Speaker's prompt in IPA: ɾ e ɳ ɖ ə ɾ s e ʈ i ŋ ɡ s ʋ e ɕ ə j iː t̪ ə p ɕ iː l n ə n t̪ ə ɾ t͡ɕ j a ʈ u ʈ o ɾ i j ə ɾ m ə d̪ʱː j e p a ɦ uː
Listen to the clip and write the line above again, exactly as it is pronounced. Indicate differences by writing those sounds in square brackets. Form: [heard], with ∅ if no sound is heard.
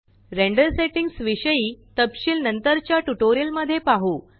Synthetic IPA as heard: ɾ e ɳ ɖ ə ɾ s e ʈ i ŋ ɡ s ʋ [i] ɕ ə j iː t̪ ə p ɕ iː l n ə n t̪ ə ɾ t͡ɕ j a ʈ u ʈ o ɾ i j ə [l] m ə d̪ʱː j e p a ɦ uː